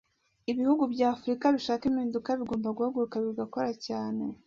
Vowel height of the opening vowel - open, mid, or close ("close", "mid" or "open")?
close